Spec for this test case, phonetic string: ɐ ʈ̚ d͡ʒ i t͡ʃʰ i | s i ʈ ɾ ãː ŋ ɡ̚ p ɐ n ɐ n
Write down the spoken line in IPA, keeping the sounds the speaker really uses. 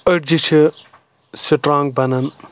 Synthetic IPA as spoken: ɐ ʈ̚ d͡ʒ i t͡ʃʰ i | s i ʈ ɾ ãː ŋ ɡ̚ b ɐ n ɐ n